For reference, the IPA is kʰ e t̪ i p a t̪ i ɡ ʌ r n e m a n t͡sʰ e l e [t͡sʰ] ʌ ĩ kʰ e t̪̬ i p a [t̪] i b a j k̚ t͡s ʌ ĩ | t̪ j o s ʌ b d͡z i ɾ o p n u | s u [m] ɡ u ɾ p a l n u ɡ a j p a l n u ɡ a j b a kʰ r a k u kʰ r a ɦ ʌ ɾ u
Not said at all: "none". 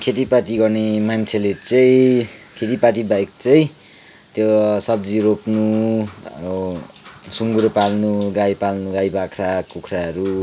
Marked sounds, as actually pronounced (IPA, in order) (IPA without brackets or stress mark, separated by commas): t͡s, t̪, ŋ